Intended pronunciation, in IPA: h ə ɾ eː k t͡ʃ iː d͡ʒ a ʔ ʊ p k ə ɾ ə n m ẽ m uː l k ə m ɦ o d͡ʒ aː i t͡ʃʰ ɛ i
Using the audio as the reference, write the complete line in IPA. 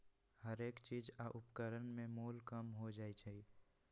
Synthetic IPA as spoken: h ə ɾ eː k t͡ʃ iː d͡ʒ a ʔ ʊ p k ə ɾ ə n m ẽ m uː l k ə m ɦ o d͡ʒ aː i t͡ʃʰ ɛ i